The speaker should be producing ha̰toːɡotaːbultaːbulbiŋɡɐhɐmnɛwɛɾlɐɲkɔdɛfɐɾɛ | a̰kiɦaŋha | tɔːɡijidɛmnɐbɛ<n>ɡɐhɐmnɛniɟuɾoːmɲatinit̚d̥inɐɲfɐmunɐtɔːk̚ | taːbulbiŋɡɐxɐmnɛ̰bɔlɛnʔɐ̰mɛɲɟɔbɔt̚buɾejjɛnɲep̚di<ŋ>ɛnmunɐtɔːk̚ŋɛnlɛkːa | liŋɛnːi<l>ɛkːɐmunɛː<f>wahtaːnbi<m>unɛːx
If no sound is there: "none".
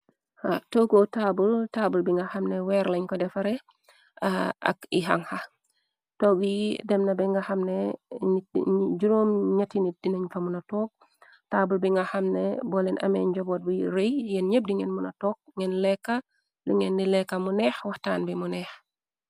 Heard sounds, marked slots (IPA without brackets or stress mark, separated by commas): ŋ, ŋ, l, x, m